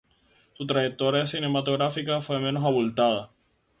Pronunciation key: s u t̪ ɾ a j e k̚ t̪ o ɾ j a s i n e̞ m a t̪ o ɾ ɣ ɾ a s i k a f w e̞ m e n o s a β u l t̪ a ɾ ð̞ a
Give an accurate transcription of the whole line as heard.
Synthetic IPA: s u t̪ ɾ a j e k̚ t̪ o ɾ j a s i n e̞ m a t̪ o ɣ ɾ a f i k a f w e̞ m e n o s a β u l t̪ a ð̞ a